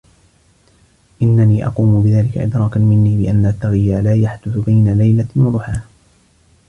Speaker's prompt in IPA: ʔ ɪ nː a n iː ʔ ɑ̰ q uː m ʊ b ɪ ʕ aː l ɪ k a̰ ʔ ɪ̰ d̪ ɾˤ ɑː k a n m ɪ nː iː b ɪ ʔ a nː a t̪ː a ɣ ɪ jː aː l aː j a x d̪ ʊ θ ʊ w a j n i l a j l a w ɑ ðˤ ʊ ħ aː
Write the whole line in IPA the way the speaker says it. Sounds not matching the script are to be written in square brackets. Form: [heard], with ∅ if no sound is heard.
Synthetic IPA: ʔ ɪ nː a n iː ʔ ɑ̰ q uː m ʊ b ɪ [ð] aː l ɪ k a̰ ʔ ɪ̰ d̪ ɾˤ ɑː k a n m ɪ nː iː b ɪ ʔ a nː a t̪ː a ɣ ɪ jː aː l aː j a [ħ] d̪ ʊ θ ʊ [b] a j n [a] l a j l a w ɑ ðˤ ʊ ħ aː